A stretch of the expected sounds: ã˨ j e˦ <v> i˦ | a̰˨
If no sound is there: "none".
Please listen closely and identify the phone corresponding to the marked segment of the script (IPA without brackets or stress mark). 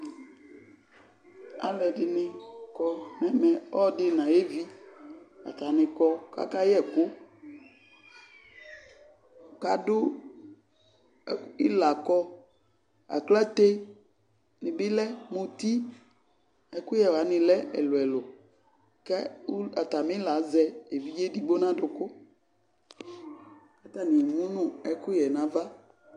v